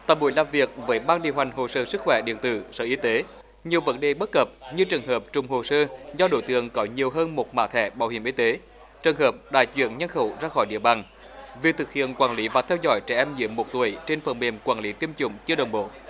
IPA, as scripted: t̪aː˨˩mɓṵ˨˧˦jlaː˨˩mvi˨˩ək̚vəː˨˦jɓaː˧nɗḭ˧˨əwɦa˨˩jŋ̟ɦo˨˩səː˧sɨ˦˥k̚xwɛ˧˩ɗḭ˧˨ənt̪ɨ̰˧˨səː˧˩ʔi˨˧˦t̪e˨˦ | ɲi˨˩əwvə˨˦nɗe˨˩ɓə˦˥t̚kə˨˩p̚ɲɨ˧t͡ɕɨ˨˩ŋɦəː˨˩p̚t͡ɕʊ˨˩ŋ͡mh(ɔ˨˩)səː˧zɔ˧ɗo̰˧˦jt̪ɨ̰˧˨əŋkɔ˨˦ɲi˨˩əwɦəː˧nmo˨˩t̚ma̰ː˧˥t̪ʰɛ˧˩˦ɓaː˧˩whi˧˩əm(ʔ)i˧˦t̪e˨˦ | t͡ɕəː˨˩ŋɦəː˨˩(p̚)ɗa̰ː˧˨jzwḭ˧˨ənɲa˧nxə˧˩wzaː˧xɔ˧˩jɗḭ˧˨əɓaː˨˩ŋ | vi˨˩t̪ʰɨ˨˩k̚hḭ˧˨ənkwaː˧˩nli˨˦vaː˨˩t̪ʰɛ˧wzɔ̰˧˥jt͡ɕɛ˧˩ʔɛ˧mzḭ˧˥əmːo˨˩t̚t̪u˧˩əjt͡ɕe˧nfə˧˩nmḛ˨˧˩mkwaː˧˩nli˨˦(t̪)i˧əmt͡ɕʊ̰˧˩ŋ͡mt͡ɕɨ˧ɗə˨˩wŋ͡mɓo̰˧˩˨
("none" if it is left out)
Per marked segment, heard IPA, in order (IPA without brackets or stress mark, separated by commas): o˨˩, ʔ, p̚, t̪